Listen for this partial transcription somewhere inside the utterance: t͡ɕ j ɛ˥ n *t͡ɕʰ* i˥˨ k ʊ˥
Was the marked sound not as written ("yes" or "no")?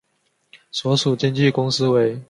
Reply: yes